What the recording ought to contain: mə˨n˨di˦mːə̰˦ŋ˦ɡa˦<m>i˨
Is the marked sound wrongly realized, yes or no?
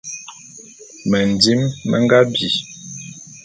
yes